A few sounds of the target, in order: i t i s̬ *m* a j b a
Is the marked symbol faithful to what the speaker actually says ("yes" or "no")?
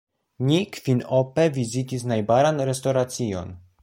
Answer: no